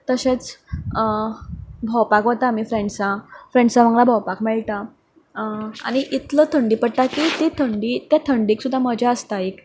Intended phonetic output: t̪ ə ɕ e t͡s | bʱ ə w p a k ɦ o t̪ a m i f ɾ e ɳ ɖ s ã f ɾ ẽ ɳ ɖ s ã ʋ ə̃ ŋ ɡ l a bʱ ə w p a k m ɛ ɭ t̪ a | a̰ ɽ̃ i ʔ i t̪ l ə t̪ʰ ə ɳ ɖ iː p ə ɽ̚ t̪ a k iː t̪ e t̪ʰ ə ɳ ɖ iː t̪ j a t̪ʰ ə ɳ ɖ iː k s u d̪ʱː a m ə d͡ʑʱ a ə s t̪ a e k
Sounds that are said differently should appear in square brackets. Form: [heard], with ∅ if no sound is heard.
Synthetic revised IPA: t̪ ə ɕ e t͡s | bʱ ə w p a k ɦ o t̪ a m i f ɾ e ɳ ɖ s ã f ɾ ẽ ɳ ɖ s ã ʋ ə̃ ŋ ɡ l a bʱ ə w p a k m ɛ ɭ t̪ a | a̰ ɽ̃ i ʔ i t̪ l ə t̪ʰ ə ɳ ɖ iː p ə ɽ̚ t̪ a k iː t̪ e t̪ʰ ə ɳ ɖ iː t̪ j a t̪ʰ ə ɳ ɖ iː k s u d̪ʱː a m ə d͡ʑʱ a ə s t̪ a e k